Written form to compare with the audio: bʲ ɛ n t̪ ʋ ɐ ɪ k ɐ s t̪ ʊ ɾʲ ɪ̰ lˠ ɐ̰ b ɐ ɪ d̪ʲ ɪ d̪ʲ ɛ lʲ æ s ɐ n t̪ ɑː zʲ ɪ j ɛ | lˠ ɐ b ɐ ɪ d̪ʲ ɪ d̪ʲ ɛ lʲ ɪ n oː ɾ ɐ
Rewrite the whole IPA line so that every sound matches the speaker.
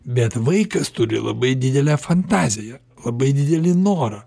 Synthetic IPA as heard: bʲ ɛ t̪ ʋ ɐ ɪ k ɐ s t̪ ʊ ɾʲ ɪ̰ lˠ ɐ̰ b ɐ ɪ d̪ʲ ɪ d̪ʲ ɛ lʲ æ f ɐ n t̪ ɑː zʲ ɪ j ɛ | lˠ ɐ b ɐ ɪ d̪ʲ ɪ d̪ʲ ɛ lʲ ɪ n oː ɾ ɐ